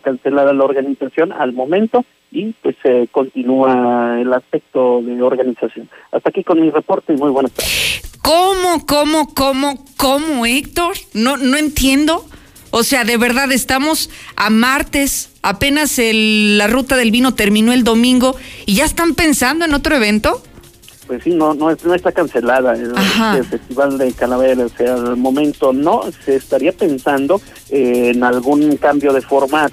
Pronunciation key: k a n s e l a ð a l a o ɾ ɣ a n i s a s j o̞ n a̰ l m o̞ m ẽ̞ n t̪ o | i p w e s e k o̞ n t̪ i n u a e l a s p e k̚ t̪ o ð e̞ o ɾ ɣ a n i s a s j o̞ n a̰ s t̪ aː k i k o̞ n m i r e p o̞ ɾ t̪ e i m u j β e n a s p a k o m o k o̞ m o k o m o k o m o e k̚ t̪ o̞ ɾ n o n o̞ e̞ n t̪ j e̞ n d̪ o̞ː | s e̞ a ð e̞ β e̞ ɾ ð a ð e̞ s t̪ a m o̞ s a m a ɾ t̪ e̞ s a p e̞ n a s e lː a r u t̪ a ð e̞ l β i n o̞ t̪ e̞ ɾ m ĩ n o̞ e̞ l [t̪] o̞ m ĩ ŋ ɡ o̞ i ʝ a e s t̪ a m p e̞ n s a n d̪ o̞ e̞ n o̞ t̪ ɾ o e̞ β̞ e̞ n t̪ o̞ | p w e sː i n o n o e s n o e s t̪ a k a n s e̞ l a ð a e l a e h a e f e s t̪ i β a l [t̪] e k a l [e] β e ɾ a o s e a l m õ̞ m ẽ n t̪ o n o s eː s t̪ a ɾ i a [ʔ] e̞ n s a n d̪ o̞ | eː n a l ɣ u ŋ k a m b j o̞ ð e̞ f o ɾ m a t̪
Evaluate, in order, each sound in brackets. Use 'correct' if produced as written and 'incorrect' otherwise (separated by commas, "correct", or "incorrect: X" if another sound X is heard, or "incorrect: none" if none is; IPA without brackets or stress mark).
incorrect: d̪, incorrect: d̪, incorrect: a, incorrect: p